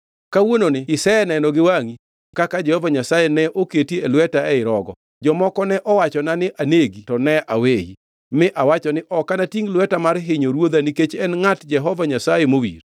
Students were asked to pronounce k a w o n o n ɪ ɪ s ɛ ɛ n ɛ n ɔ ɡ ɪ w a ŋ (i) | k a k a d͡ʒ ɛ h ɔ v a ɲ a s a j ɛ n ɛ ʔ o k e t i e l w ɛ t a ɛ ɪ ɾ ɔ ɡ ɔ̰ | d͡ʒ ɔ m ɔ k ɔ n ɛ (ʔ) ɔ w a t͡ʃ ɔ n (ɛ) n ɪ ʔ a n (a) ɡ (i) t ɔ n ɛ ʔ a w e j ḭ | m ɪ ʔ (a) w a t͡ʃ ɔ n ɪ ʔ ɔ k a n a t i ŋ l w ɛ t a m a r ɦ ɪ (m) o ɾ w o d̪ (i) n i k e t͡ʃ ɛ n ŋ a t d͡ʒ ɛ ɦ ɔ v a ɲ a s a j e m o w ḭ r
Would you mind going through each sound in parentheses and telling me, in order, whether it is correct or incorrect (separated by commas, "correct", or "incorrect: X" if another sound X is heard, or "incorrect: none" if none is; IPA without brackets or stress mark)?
correct, correct, incorrect: a, incorrect: e, correct, correct, incorrect: ɲ, incorrect: a